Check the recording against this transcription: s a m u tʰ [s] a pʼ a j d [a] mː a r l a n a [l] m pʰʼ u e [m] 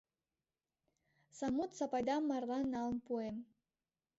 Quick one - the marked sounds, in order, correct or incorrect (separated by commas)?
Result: correct, correct, correct, correct